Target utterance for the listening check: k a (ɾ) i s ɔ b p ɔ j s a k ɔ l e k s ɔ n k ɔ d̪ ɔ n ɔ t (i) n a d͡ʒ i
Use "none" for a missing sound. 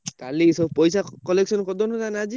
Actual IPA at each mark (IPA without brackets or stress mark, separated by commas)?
l, a